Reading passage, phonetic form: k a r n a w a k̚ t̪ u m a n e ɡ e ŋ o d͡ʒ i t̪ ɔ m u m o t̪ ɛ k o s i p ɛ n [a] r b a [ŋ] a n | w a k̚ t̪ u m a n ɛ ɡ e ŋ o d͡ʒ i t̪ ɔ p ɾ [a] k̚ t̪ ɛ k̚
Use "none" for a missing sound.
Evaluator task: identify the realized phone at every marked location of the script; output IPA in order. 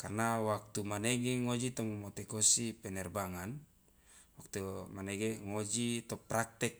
ɛ, ŋ, a

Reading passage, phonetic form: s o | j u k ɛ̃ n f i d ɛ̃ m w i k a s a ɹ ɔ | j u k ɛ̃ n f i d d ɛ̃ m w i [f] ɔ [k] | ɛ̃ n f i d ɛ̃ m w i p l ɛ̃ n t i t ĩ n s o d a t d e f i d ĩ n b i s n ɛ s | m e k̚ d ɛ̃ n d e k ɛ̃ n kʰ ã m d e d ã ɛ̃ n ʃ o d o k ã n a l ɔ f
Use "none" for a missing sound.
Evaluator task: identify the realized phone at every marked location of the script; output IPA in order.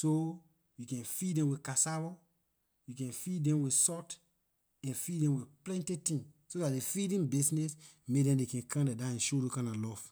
s, t

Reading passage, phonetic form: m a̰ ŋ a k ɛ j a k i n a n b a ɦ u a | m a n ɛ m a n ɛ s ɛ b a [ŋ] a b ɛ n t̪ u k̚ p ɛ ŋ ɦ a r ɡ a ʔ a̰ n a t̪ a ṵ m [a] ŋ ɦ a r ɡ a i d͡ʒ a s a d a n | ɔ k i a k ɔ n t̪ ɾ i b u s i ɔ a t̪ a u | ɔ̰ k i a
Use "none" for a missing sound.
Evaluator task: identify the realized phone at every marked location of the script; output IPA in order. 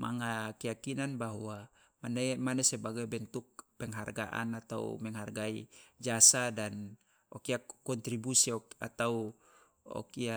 ɡ, ɛ

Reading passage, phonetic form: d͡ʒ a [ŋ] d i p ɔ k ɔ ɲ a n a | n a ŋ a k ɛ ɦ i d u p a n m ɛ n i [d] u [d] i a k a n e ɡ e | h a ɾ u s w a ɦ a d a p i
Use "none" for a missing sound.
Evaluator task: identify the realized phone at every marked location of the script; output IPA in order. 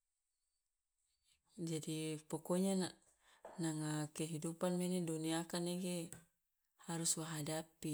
none, d, n

